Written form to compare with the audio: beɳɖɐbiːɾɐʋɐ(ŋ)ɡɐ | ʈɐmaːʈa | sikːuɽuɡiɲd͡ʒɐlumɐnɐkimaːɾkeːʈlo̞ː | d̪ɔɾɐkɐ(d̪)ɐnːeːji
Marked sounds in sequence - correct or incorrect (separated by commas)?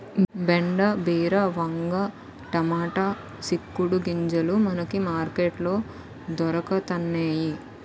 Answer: correct, incorrect